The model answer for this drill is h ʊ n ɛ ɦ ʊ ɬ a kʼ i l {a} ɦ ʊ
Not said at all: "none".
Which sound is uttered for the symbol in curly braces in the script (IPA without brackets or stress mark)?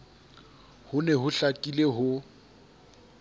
e